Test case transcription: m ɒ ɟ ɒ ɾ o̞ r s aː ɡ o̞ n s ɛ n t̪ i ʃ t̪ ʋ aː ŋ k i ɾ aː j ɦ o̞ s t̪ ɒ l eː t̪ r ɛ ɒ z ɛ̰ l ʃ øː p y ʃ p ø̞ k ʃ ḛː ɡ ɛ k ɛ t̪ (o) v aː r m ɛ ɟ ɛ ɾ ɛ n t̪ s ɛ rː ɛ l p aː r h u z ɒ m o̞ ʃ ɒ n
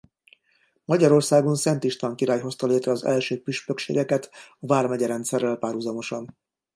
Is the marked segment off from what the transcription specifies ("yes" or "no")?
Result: yes